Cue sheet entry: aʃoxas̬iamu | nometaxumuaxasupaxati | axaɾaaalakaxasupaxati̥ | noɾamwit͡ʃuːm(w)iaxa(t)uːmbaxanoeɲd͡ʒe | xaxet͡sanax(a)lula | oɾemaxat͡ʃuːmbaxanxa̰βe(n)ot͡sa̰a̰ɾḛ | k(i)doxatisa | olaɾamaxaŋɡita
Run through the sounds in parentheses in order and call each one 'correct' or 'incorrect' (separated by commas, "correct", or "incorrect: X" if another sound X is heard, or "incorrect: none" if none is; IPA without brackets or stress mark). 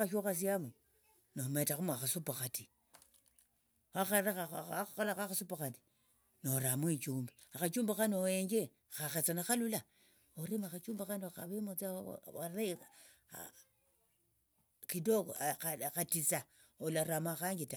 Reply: incorrect: b, incorrect: t͡ʃ, correct, incorrect: m, correct